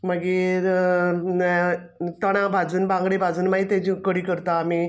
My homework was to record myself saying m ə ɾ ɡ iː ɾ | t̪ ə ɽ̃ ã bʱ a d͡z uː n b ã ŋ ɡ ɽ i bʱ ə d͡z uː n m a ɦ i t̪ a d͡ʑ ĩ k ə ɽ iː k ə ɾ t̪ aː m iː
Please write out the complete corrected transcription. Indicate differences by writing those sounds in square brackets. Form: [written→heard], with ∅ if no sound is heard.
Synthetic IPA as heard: m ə [ɾ→∅] ɡ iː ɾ | t̪ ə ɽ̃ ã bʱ a d͡z uː n b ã ŋ ɡ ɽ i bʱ [ə→a] d͡z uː n m a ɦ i t̪ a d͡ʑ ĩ k ə ɽ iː k ə ɾ t̪ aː m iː